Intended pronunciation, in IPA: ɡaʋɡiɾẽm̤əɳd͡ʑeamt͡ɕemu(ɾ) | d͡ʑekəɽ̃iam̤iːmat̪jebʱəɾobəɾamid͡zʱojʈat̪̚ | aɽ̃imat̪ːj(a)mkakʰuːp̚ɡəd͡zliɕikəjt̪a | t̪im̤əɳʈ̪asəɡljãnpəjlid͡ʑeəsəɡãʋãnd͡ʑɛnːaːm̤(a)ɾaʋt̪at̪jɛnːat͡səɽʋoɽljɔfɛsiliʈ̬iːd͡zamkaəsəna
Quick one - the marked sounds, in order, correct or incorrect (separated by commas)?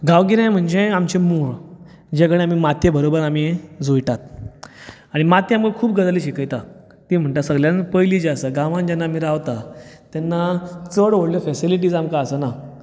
incorrect, correct, incorrect